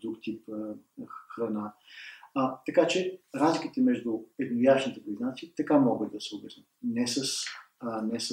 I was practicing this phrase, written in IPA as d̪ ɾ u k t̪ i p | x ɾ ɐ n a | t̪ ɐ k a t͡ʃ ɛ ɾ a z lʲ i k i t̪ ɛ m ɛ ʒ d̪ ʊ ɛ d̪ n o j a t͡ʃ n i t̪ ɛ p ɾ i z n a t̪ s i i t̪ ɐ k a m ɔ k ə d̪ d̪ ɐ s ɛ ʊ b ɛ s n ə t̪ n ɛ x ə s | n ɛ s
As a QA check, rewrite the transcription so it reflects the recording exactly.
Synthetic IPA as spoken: d̪ ɾ u k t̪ i p | x ɾ ɐ n a | t̪ ɐ k a t͡ʃ ɛ ɾ a z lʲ i k i t̪ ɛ m ɛ ʒ d̪ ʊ ɛ d̪ n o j a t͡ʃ n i t̪ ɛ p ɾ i z n a t̪ s i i t̪ ɐ k a m ɔ ɡ ə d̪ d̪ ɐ s ɛ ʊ b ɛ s n ə t̪ n ɛ s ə s | n ɛ s